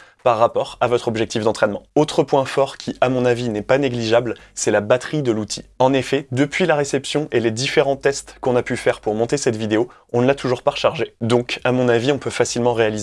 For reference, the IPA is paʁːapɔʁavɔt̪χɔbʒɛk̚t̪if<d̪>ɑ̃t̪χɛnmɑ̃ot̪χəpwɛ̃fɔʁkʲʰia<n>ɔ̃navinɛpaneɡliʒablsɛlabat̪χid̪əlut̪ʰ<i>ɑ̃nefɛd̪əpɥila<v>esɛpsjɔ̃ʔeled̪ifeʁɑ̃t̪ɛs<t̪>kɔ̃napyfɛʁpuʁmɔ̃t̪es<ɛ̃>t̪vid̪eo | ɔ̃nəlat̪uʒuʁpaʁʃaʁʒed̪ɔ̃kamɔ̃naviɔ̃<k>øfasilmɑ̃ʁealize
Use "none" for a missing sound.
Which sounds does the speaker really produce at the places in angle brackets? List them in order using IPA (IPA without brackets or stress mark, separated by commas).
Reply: d̪, m, i, ʁ, t̪, ɛ, p